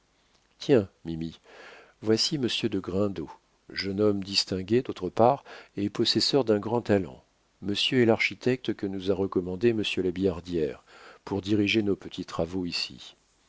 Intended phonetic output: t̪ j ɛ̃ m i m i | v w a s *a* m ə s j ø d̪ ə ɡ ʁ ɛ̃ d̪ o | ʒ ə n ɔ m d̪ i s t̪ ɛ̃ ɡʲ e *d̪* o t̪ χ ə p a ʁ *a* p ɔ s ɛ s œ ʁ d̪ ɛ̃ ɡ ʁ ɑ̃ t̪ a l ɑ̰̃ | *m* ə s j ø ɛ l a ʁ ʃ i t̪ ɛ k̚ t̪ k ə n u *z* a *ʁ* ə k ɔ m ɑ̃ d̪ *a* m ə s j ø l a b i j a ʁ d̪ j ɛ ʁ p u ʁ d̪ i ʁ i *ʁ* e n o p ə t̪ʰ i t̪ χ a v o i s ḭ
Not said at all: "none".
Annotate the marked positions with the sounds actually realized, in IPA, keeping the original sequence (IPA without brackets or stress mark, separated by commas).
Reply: i, d̪, e, m, z, ʁ, e, ʒ